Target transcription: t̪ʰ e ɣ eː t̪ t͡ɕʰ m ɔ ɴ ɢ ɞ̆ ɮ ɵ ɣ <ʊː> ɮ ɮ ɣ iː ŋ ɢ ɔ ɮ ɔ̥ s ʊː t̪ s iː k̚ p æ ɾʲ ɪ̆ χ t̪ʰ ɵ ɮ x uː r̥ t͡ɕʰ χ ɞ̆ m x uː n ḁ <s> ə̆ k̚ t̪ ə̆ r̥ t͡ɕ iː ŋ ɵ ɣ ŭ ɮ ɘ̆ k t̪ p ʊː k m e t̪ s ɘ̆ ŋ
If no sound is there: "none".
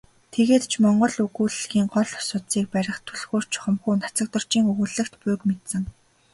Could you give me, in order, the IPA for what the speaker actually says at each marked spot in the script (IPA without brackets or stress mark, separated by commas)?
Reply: uː, t͡s